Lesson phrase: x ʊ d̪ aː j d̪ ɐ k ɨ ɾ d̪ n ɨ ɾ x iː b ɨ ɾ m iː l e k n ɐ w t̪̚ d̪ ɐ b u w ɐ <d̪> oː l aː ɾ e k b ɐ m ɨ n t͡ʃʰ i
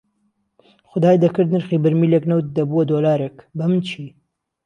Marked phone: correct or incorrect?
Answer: correct